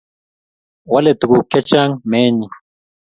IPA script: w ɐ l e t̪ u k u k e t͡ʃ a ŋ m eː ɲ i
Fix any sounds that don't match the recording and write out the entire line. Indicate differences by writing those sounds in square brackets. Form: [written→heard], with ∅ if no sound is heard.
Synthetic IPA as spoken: w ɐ l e t̪ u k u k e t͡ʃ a ŋ m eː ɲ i

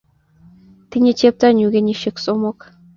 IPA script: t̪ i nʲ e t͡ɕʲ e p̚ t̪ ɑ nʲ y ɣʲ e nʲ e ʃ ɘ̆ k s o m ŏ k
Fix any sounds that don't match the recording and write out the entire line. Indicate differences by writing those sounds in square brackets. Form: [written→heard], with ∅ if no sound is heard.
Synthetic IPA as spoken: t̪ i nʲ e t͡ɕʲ e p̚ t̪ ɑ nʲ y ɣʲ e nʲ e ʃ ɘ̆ k s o m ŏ k

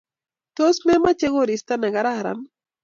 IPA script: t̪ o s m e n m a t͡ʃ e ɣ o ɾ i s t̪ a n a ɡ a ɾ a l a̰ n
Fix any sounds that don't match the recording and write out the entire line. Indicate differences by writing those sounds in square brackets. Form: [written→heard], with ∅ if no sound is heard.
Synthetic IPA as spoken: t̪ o s m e [n→∅] m a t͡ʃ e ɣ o ɾ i s t̪ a n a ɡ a ɾ a [l→ɾ] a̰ n

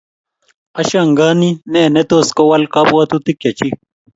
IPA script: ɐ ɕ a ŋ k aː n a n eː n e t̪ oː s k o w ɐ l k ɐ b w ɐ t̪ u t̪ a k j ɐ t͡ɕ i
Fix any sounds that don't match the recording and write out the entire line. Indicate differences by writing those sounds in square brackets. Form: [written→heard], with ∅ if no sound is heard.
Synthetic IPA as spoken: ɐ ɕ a ŋ [k→ɡ] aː n [a→i] n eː n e t̪ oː s k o w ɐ l k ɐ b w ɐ t̪ u t̪ [a→i] k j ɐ t͡ɕ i

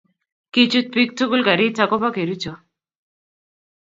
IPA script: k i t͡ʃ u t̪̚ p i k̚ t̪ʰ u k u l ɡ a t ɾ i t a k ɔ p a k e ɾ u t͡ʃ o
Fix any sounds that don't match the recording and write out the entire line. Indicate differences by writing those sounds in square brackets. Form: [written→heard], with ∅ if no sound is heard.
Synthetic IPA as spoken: k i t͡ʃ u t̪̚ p i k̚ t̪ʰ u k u l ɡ a [t→∅] ɾ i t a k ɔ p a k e ɾ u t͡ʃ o

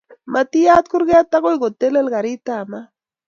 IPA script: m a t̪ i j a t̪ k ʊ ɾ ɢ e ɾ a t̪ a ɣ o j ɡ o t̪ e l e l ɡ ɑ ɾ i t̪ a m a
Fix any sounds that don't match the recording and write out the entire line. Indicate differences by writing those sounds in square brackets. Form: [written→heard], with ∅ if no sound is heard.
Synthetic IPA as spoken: m a t̪ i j a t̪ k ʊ ɾ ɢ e [ɾ→∅] a t̪ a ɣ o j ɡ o t̪ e l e l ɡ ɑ ɾ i t̪ a m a

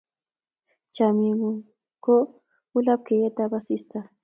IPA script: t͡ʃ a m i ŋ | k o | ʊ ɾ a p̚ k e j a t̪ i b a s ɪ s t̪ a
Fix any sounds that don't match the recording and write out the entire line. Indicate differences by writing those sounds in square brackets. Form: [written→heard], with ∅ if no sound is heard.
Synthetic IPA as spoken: t͡ʃ a m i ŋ | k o | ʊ [ɾ→l] a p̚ k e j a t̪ [i→a] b a s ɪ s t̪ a

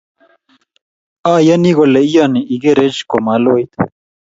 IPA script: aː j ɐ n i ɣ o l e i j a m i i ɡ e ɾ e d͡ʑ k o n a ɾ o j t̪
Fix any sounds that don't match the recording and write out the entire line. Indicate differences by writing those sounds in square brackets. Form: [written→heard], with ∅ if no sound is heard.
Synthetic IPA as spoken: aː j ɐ n i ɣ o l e i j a [m→n] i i ɡ e ɾ e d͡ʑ k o [n→m] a [ɾ→l] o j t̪

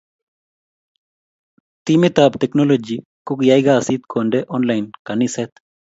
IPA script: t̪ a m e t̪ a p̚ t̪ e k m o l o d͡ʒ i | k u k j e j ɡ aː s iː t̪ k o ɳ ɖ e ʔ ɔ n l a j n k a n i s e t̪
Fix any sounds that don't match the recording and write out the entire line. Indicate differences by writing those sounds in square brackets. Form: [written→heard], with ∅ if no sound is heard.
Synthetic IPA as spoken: t̪ [a→i] m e t̪ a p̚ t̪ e k [m→n] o l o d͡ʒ i | k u k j [e→a] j ɡ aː s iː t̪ k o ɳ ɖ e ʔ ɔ n l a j n k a n i s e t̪

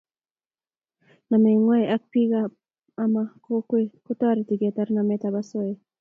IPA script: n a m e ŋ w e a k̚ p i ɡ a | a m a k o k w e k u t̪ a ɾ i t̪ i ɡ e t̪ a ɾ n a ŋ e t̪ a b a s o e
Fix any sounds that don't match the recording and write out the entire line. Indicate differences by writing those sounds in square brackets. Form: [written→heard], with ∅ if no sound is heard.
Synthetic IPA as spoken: n a m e ŋ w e a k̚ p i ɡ a | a m a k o k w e k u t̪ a ɾ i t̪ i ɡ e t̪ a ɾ n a [ŋ→m] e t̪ a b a s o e

